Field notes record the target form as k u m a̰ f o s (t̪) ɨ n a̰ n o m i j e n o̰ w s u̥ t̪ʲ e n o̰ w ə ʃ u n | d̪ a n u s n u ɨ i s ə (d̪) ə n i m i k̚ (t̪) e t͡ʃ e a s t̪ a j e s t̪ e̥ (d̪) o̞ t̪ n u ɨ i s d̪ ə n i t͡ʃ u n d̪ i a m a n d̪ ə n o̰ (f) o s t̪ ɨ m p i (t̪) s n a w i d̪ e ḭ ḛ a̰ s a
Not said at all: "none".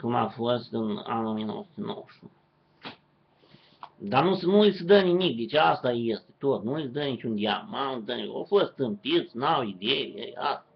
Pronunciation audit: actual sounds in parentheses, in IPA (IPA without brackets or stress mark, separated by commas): t̪, d̪, d̪, t̪, f, t̪